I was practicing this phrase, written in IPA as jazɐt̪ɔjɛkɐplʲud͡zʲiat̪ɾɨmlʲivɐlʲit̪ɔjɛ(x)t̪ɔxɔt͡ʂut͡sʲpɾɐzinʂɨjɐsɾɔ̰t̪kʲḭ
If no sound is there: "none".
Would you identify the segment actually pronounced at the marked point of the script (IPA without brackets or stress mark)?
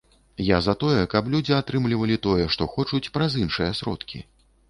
ʂ